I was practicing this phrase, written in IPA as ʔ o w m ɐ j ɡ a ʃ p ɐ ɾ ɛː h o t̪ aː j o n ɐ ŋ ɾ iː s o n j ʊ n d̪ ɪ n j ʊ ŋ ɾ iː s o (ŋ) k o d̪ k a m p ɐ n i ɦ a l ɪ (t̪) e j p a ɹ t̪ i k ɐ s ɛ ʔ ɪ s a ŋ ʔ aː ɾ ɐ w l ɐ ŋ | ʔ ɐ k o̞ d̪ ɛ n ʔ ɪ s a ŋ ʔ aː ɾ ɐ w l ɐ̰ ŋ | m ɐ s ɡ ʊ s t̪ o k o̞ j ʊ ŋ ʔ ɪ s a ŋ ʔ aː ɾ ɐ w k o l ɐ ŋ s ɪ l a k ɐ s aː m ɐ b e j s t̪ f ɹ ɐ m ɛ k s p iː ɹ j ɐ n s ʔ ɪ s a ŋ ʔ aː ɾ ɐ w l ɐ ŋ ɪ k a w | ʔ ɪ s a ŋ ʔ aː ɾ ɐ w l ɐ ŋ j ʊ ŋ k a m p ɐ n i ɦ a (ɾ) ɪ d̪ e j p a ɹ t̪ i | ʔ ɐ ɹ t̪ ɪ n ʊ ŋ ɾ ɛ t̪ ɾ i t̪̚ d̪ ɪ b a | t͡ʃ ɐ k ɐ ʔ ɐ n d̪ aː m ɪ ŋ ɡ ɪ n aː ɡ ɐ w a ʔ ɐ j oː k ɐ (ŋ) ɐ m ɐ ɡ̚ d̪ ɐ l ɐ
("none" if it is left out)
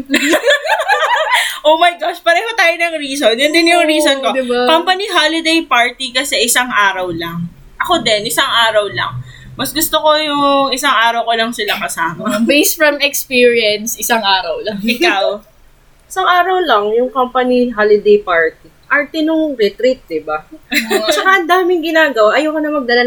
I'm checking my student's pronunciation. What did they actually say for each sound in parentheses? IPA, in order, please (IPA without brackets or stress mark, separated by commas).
n, d̪, l, n